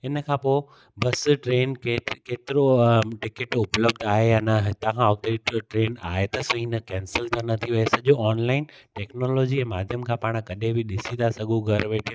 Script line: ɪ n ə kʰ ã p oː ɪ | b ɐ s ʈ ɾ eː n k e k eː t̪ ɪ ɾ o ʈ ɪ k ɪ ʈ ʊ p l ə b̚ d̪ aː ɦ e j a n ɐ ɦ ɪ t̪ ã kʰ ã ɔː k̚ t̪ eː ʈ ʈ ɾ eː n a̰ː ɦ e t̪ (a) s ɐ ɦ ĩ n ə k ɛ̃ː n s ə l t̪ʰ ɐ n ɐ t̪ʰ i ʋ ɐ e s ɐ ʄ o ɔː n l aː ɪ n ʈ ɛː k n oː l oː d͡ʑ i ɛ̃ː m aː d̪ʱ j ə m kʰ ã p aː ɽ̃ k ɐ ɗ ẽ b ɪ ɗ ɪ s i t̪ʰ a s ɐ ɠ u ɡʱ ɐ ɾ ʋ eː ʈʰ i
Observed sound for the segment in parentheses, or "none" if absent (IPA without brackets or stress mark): ɐ